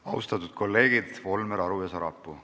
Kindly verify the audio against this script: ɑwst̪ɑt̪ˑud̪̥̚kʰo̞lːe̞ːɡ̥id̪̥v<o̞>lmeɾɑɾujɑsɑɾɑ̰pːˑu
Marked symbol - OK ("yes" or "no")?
yes